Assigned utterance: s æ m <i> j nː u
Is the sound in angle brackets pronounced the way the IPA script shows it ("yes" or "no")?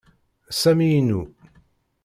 yes